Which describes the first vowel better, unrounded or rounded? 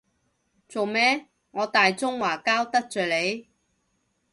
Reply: rounded